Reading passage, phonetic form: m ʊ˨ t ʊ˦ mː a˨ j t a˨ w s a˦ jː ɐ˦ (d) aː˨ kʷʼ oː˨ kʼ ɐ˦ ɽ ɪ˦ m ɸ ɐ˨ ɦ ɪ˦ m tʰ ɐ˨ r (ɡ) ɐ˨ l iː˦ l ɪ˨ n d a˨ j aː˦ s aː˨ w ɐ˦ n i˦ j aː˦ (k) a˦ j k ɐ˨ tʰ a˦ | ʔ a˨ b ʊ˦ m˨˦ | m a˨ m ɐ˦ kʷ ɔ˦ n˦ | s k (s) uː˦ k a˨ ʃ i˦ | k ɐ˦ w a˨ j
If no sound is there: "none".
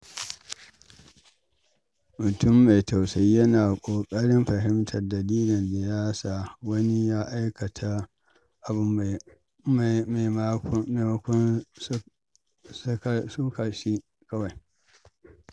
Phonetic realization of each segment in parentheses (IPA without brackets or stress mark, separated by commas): n, d, ʔ, s